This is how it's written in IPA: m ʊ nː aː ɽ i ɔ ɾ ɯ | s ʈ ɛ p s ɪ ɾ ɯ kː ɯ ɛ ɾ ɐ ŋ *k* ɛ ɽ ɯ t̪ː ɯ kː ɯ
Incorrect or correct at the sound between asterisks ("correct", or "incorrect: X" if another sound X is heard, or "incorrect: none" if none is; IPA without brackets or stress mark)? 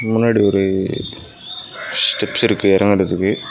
incorrect: ɡ